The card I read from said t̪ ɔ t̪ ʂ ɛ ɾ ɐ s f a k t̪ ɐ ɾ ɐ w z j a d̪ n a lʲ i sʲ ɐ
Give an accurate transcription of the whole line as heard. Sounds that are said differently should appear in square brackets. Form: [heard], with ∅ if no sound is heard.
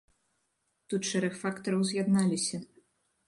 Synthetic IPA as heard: t̪ [u] t̪ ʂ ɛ ɾ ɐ [x] f a k t̪ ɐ ɾ ɐ w z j a d̪ n a lʲ i sʲ ɐ